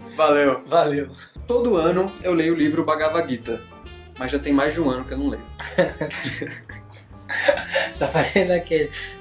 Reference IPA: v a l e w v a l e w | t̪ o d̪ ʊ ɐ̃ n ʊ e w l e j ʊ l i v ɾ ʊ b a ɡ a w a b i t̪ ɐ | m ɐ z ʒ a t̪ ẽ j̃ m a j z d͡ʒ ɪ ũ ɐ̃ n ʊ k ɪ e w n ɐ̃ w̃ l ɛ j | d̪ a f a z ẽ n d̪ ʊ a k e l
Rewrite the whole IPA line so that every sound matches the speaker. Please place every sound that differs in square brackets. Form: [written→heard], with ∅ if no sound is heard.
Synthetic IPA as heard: v a l e w v a l e w | t̪ o d̪ ʊ ɐ̃ n ʊ e w l e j ʊ l i v ɾ ʊ b a ɡ a [w→v] a [b→ɡ] i t̪ ɐ | m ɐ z ʒ a t̪ ẽ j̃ m a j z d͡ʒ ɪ ũ ɐ̃ n ʊ k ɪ e w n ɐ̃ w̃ l [ɛ→e] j | [d̪→t̪] a f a z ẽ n d̪ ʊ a k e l